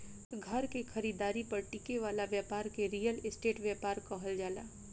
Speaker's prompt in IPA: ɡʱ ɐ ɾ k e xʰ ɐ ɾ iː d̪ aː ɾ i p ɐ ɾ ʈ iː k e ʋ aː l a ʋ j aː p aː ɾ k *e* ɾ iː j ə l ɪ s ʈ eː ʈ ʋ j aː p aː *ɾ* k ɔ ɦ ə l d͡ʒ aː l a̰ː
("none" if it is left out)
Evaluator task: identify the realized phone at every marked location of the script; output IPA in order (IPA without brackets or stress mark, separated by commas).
e, ɾ